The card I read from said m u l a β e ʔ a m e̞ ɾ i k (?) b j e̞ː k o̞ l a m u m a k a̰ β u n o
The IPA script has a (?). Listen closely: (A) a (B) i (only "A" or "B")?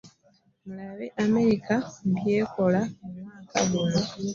A